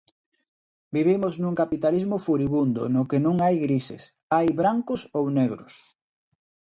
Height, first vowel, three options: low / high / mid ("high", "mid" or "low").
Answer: high